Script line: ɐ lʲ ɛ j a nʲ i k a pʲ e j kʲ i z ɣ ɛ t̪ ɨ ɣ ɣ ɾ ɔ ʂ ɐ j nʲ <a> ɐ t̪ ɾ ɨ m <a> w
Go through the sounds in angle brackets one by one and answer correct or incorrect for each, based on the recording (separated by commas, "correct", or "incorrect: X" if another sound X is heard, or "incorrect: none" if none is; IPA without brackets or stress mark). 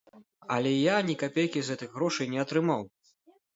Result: incorrect: ɛ, correct